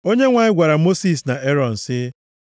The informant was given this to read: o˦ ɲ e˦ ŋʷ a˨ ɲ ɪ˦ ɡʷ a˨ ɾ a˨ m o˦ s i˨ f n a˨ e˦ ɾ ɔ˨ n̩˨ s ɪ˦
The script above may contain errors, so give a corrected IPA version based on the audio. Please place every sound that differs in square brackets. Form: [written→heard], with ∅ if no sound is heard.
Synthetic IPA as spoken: o˦ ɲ e˦ ŋʷ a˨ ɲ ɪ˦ ɡʷ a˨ ɾ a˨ m o˦ s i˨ [f→s] n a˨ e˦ ɾ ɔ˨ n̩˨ s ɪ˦